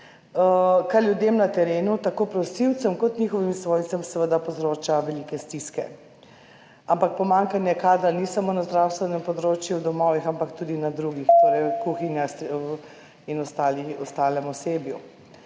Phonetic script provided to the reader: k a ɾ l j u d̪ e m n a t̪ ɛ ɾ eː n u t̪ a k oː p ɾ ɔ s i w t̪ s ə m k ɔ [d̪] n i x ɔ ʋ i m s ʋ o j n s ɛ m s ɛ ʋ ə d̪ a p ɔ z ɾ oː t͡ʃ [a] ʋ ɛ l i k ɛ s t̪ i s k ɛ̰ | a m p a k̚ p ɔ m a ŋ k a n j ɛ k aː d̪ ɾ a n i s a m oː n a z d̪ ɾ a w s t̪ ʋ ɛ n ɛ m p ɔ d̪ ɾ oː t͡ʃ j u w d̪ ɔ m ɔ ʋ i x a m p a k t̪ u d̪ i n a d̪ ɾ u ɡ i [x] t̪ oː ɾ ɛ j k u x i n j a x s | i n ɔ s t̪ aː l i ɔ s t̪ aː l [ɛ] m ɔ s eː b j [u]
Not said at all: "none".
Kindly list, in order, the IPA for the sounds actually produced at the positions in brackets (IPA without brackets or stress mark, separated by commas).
t̪, a, x, ɛ, u